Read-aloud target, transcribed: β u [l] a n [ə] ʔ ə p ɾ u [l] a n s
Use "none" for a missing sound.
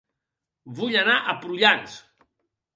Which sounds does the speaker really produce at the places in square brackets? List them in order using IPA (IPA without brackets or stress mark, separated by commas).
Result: ʎ, a, ʎ